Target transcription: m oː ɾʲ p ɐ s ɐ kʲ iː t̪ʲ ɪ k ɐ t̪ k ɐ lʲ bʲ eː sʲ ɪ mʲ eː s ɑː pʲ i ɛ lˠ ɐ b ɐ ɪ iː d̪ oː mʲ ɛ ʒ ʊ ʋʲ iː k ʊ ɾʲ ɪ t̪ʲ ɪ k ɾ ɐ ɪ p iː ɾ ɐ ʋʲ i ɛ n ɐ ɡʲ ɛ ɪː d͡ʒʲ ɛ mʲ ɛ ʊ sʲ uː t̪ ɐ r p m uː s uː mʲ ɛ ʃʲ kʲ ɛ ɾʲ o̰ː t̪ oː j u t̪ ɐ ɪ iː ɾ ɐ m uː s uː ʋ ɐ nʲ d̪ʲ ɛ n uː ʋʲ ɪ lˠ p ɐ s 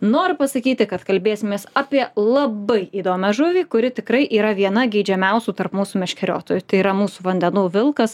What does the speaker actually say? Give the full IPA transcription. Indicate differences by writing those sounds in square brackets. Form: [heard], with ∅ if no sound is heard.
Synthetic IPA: [n] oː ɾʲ p ɐ s ɐ kʲ iː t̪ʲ ɪ k ɐ t̪ k ɐ lʲ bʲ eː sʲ ɪ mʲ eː s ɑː pʲ i ɛ lˠ ɐ b ɐ ɪ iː d̪ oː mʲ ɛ ʒ ʊ ʋʲ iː k ʊ ɾʲ ɪ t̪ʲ ɪ k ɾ ɐ ɪ [ʔ] iː ɾ ɐ ʋʲ i ɛ n ɐ ɡʲ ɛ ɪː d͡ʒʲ ɛ mʲ ɛ ʊ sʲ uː t̪ ɐ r p m uː s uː mʲ ɛ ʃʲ kʲ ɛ ɾʲ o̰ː t̪ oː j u t̪ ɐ ɪ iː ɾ ɐ m uː s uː ʋ ɐ nʲ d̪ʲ ɛ n uː ʋʲ ɪ lˠ [k] ɐ s